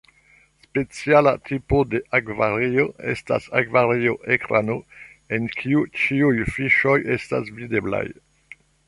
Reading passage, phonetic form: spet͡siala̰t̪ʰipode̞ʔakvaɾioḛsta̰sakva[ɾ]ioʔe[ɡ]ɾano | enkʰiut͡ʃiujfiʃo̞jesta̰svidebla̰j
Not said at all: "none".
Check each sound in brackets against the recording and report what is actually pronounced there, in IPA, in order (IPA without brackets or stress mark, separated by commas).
ɾ, k